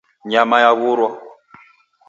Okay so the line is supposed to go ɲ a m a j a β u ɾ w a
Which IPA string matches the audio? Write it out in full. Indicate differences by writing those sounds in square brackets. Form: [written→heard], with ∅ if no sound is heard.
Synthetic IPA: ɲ a m a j a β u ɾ w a